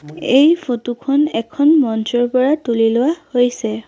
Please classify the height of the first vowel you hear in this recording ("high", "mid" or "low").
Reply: mid